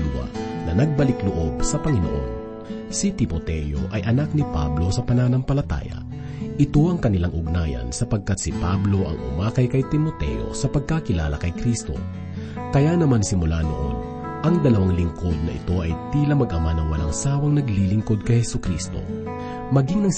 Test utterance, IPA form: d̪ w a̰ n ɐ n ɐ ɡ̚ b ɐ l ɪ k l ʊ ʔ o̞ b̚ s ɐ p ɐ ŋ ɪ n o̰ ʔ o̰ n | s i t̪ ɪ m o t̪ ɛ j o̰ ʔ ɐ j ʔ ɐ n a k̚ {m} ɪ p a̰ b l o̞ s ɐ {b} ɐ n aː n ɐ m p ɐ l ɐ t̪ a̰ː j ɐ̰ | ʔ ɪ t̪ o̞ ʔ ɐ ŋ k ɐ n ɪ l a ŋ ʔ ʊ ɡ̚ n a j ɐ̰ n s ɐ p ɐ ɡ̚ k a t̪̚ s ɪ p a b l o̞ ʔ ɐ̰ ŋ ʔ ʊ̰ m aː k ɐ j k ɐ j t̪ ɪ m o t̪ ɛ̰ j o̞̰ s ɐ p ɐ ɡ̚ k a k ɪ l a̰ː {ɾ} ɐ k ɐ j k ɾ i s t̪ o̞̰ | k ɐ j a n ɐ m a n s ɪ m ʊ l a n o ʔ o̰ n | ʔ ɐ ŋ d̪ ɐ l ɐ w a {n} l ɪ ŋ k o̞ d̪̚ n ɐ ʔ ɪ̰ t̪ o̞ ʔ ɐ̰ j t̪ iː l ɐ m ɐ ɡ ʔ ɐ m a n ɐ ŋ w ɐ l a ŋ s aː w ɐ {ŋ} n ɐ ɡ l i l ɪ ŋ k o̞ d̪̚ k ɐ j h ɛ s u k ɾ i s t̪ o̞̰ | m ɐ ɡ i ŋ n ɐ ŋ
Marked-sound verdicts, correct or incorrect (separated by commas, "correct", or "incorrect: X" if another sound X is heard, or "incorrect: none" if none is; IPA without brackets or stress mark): incorrect: n, incorrect: p, incorrect: l, incorrect: ŋ, correct